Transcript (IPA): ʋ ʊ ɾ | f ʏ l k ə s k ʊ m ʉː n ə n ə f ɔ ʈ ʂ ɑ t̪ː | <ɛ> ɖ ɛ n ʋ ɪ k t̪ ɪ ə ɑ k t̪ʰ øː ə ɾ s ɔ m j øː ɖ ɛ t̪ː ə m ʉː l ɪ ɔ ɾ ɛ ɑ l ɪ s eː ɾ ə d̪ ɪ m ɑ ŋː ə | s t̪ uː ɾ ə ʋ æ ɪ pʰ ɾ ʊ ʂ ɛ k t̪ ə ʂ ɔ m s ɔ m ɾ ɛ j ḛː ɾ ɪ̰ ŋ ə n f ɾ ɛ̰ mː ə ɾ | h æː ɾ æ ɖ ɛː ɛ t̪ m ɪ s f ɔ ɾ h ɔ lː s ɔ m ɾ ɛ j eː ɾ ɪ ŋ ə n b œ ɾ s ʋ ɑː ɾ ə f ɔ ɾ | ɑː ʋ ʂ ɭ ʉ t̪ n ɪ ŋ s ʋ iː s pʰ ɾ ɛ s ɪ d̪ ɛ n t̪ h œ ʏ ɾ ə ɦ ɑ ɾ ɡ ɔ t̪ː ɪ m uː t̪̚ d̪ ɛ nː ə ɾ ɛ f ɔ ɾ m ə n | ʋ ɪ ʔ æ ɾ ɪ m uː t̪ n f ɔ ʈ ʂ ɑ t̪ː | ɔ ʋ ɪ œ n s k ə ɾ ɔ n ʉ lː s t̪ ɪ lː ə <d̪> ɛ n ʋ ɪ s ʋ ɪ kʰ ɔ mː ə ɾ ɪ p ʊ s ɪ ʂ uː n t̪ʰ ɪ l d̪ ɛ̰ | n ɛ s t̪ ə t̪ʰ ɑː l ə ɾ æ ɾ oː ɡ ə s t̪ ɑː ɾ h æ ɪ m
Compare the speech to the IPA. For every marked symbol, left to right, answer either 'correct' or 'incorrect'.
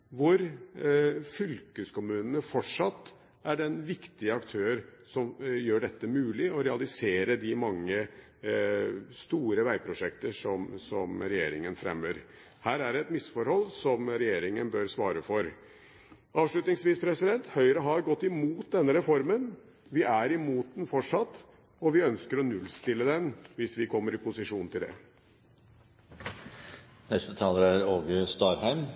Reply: incorrect: æ, correct

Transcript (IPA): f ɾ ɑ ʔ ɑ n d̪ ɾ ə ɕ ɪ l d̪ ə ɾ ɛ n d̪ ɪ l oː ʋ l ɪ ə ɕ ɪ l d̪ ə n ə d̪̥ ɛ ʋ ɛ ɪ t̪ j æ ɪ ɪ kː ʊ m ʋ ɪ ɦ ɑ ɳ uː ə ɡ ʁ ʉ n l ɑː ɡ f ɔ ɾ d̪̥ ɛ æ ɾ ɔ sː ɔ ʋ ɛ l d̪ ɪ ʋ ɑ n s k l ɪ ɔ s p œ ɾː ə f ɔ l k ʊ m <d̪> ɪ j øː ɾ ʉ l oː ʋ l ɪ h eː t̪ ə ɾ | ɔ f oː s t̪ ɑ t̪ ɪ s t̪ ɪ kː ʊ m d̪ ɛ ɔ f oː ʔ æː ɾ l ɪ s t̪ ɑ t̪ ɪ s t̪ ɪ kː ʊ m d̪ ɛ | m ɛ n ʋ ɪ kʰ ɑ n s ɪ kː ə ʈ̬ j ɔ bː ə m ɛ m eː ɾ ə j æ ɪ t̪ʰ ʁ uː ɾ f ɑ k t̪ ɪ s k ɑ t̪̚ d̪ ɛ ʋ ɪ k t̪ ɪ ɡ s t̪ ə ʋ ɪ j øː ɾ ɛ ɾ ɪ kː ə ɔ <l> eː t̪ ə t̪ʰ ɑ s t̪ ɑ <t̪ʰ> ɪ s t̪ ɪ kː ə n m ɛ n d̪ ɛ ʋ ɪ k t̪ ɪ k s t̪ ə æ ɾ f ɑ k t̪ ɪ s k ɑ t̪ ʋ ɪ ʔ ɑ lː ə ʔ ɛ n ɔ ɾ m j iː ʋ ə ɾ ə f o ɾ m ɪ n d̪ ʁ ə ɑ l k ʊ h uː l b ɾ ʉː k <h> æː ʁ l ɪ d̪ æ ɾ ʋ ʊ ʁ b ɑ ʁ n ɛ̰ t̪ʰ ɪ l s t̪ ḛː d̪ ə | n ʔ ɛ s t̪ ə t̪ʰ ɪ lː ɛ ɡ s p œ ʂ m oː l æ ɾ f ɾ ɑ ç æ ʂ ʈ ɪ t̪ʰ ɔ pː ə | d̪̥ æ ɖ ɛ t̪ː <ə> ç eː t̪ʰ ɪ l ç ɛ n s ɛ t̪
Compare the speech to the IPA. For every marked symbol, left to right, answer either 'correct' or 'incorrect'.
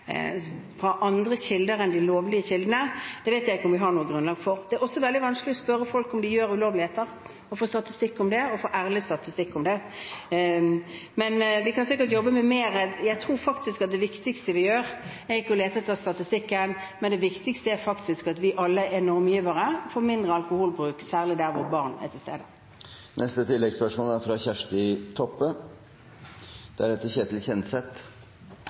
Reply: correct, correct, incorrect: t̪, incorrect: s, correct

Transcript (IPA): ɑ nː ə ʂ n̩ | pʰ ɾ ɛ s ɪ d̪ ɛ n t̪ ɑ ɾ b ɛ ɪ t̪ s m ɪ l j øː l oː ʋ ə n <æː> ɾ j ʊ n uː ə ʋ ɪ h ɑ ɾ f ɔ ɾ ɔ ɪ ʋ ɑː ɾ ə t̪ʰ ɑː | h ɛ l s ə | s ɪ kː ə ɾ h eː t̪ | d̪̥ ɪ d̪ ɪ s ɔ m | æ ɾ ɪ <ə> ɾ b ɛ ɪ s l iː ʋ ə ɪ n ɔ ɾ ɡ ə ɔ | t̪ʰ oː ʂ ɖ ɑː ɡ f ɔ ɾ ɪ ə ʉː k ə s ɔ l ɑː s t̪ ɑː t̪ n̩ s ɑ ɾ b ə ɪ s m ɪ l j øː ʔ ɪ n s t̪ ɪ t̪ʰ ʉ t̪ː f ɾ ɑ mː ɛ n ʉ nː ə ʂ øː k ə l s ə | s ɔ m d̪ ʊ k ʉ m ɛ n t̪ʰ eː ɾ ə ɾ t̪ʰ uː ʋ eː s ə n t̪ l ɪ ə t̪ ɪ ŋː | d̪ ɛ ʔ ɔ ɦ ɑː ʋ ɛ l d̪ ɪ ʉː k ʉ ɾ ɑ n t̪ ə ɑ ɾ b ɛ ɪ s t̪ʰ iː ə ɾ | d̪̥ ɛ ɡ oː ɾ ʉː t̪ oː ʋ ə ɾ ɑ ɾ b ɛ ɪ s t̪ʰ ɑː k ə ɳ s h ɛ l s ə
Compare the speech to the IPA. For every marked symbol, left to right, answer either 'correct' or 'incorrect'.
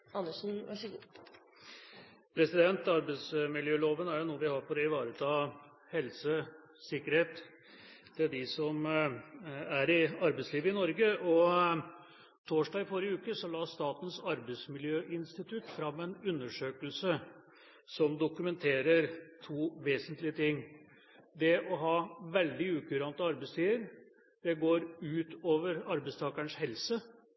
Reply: incorrect: æ, incorrect: ɑ

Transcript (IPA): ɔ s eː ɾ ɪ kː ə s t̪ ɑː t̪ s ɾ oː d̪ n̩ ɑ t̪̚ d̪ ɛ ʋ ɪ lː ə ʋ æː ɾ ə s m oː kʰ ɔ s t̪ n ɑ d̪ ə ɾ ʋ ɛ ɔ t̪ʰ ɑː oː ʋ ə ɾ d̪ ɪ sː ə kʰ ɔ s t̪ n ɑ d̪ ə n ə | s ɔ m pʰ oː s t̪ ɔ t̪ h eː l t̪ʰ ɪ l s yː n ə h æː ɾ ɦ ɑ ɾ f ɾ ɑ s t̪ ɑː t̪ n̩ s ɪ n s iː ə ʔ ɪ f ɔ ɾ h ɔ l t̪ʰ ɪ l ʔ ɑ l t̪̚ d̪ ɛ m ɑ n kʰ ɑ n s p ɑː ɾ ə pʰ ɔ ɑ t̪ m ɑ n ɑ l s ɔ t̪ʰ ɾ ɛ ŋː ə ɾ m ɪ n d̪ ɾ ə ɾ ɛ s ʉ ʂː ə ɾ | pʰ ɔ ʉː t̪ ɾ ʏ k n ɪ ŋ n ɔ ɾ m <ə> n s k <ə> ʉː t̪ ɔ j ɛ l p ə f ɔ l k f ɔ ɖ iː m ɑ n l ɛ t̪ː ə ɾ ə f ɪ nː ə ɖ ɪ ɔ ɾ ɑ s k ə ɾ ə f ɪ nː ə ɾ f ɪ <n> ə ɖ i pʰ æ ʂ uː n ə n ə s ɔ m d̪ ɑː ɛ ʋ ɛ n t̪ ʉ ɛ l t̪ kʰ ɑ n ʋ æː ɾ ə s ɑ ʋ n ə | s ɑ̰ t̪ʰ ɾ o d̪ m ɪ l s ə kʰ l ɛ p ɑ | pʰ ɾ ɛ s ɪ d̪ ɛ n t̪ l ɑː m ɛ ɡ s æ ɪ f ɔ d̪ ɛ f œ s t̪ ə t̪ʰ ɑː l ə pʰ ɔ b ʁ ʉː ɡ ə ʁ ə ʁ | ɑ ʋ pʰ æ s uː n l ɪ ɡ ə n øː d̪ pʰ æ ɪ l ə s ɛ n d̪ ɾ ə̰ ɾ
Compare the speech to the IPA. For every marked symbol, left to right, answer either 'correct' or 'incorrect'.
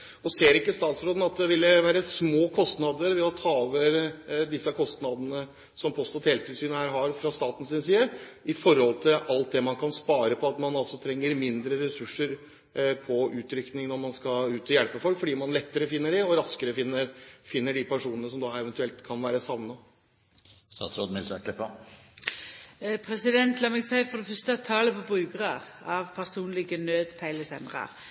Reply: incorrect: ɑ, incorrect: ɑ, incorrect: nː

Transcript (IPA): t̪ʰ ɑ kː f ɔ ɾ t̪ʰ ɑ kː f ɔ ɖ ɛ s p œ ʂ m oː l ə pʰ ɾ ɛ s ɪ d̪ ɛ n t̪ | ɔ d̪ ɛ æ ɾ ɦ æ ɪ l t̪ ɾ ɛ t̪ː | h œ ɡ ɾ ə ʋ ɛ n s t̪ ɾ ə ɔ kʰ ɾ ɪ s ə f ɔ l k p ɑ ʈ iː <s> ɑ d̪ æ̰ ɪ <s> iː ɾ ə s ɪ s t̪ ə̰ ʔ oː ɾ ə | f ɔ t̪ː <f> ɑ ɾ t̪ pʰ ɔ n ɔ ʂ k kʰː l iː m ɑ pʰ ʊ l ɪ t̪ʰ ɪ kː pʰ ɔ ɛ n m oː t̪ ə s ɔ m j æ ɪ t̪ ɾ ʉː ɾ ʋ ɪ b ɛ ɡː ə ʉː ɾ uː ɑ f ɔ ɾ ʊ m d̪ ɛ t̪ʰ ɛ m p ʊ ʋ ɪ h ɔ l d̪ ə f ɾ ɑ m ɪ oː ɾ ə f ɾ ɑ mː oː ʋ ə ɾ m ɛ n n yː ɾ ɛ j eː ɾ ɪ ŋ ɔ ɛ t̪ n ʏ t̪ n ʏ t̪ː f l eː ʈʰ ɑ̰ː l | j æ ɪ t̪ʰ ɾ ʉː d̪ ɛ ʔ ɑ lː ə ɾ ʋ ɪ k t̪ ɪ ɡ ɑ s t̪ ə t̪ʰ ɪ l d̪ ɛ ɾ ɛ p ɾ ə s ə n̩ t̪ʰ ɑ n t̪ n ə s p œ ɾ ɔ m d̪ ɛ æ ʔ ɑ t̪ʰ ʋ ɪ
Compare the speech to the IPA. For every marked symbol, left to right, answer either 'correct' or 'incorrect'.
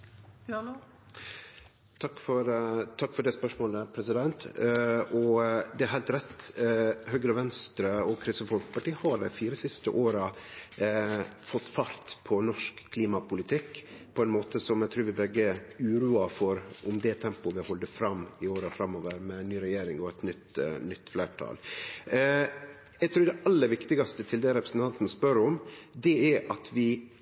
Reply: incorrect: h, incorrect: f, correct

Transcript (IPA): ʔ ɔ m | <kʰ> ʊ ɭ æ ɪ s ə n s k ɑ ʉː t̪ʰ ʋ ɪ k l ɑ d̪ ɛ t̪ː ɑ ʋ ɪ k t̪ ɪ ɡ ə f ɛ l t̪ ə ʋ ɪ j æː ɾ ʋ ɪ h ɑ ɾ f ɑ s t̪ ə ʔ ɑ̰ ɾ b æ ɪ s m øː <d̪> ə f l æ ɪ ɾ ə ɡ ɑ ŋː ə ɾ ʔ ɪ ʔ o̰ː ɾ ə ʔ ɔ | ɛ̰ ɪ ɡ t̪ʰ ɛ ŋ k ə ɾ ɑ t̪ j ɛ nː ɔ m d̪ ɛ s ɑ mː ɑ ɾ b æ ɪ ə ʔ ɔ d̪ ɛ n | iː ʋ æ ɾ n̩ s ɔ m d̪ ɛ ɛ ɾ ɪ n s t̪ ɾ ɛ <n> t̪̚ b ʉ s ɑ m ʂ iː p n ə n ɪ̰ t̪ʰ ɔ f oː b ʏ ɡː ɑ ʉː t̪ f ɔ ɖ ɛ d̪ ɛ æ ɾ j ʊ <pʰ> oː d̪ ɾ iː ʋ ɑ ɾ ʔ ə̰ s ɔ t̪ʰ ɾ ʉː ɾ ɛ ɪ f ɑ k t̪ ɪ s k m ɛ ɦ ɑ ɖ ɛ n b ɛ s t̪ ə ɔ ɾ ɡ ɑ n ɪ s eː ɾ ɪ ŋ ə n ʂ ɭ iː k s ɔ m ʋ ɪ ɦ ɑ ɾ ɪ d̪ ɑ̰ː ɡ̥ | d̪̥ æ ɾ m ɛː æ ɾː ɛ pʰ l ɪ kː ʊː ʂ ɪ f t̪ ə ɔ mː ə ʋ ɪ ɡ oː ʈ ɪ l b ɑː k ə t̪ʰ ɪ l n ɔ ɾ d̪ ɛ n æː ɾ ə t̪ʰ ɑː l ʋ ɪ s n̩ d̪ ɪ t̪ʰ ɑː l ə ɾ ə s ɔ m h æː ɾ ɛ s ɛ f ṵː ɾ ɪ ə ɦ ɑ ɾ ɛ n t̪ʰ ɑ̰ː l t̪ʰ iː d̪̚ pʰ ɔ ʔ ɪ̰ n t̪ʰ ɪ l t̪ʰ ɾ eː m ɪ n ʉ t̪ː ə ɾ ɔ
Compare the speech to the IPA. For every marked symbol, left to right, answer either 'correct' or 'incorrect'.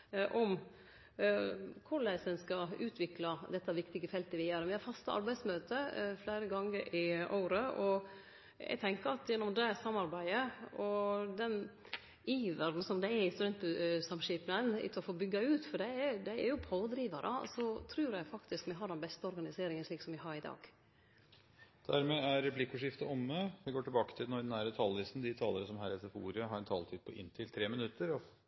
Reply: correct, incorrect: t̪, correct, correct

